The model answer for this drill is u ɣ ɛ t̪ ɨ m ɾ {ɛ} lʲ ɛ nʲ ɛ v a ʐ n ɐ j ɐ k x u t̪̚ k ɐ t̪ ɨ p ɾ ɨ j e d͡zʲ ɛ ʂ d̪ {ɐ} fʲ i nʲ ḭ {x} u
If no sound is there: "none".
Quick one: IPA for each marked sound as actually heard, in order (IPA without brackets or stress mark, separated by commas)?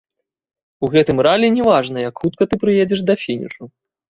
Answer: a, ɐ, ʂ